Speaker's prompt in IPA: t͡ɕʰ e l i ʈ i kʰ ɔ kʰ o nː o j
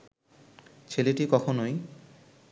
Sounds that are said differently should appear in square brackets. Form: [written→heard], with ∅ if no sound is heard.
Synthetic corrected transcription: t͡ɕʰ e l [i→e] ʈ i [kʰ→k] ɔ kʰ o [nː→n] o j